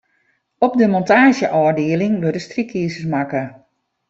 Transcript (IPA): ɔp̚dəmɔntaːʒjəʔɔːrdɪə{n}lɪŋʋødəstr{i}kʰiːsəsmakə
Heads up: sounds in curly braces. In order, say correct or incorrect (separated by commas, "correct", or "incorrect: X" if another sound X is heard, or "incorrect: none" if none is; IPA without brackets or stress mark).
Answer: incorrect: none, correct